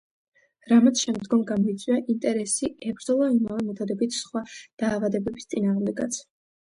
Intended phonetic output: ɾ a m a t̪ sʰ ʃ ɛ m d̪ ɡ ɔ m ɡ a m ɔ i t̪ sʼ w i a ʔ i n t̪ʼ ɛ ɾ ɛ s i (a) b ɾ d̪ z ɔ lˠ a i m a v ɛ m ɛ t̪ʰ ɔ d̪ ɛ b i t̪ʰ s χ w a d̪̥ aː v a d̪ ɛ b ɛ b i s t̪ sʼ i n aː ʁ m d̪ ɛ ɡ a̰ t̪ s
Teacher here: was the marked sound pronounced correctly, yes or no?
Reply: no